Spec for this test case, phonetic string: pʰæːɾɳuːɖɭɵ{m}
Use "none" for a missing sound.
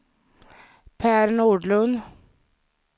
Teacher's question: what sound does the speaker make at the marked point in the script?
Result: n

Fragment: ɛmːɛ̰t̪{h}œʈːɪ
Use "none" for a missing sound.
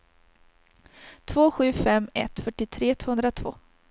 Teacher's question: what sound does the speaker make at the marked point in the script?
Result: f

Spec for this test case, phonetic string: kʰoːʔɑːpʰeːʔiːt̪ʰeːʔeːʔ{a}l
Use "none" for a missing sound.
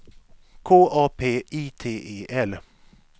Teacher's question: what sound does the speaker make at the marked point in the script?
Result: ɛ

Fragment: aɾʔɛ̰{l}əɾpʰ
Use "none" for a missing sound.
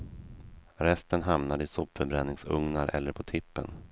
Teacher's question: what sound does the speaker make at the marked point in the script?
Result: lː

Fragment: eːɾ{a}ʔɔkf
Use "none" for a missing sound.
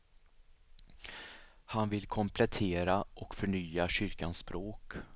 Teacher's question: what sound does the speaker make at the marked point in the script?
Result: a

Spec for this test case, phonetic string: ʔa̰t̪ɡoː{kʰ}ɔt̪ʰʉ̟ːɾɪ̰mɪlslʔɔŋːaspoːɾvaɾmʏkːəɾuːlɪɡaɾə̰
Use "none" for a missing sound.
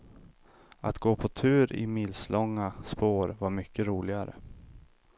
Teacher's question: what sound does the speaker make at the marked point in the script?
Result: pʰ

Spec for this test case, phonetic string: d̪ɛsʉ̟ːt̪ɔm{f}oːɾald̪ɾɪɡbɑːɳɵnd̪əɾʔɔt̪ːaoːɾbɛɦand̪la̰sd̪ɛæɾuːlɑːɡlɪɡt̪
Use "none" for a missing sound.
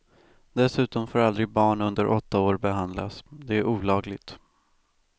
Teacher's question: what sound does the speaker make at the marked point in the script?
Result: f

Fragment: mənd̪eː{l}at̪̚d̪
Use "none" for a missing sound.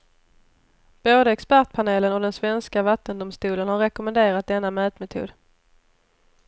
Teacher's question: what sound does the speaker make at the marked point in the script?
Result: ɾ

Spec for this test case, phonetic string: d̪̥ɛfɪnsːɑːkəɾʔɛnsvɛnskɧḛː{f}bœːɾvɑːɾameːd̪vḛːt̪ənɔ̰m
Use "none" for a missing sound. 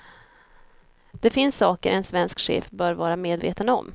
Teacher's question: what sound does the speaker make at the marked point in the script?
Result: f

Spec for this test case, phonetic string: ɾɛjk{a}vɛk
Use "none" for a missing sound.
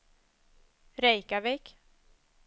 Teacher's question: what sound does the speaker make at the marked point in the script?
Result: a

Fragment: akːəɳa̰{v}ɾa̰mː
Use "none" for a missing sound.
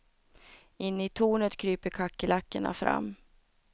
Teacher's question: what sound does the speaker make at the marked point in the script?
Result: f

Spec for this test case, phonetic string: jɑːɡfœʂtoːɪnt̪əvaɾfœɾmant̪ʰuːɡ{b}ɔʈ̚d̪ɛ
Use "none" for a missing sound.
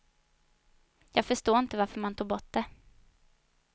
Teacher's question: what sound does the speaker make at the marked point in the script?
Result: b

